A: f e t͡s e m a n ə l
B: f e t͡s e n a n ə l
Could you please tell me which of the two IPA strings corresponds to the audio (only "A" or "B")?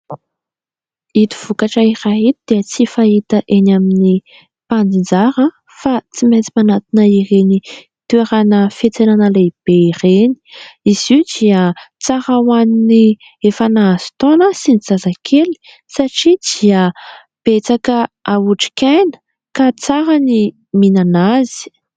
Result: B